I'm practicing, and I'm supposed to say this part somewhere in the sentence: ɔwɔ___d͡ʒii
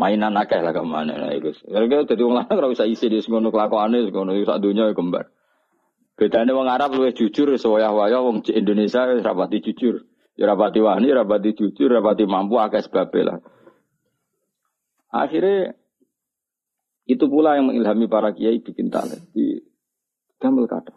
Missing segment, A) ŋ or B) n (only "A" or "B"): A